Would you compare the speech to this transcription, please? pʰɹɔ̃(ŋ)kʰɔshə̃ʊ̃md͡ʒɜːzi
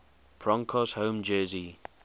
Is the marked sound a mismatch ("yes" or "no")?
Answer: no